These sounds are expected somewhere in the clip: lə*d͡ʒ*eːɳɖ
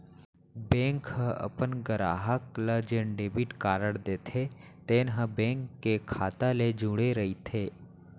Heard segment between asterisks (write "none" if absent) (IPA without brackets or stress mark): d͡ʒ